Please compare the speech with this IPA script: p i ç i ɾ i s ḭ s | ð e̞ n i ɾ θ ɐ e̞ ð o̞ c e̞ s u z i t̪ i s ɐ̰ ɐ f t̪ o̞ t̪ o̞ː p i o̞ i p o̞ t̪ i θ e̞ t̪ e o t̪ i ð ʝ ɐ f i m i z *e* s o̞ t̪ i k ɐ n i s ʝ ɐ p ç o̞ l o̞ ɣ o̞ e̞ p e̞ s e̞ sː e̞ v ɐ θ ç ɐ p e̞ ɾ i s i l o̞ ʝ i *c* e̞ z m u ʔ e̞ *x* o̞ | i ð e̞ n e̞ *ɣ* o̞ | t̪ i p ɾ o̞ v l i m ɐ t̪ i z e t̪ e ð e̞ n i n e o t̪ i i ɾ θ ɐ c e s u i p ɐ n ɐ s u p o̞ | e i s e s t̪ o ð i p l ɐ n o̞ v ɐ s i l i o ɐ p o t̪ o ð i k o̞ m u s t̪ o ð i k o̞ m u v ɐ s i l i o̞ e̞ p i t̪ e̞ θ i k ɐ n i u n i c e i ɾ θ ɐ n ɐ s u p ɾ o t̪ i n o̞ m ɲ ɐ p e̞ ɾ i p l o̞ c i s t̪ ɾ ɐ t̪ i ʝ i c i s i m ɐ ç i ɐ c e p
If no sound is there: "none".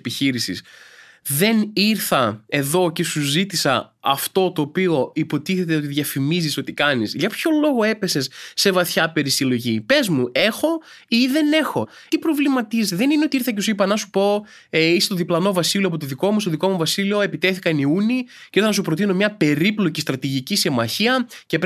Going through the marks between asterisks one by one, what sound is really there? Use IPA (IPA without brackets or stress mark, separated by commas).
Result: i, p, x, x